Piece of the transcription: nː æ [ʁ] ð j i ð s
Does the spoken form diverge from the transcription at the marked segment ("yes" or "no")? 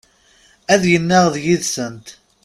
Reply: no